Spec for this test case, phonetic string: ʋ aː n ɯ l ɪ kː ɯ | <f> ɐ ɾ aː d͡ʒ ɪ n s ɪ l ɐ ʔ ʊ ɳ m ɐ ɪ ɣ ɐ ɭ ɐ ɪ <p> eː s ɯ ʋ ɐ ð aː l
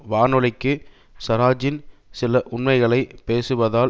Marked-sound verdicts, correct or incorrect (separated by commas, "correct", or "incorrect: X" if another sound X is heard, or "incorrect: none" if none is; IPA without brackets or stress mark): incorrect: s, correct